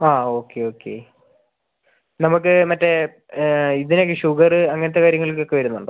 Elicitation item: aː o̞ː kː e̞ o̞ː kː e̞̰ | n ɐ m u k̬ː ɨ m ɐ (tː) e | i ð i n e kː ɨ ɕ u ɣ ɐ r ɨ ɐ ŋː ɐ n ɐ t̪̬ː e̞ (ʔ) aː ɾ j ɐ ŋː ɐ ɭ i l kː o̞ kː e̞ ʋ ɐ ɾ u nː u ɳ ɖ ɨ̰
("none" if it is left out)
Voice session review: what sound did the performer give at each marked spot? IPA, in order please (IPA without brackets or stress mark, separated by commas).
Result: tː, k